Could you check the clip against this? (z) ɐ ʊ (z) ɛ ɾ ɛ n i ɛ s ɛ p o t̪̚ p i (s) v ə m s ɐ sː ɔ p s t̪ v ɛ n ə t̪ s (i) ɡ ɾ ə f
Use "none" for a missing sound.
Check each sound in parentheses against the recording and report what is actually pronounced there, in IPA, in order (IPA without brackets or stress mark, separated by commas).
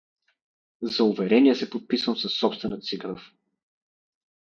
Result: z, v, s, i